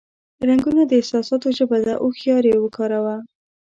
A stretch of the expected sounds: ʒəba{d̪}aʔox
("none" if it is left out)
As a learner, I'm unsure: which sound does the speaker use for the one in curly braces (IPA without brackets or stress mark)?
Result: d̪